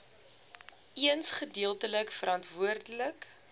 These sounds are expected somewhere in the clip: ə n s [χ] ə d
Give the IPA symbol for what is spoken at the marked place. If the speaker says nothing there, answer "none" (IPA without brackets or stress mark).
χ